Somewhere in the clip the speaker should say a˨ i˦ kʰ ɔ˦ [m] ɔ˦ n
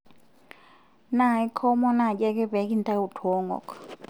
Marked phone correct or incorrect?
correct